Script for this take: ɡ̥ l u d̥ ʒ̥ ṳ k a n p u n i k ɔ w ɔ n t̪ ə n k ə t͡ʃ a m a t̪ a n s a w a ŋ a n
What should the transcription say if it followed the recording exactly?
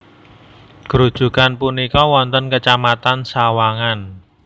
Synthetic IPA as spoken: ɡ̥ ɾ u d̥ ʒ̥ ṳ k a n p u n i k ɔ w ɔ n t̪ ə n k ə t͡ʃ a m a t̪ a n s a w a ŋ a n